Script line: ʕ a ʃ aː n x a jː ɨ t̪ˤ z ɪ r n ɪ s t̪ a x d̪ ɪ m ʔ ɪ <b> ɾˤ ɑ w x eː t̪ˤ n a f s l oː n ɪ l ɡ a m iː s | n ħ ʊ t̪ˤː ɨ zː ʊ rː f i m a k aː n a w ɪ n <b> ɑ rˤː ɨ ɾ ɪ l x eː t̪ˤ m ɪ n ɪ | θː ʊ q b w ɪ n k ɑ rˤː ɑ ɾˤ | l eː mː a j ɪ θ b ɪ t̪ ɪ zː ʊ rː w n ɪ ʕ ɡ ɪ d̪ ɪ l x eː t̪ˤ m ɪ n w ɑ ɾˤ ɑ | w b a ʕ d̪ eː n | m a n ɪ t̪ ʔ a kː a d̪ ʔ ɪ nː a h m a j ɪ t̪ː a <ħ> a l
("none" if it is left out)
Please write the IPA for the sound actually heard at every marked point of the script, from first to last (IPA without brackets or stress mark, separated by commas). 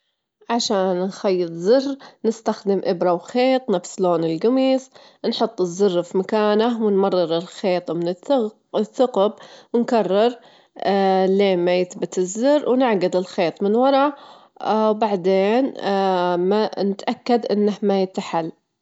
b, m, ħ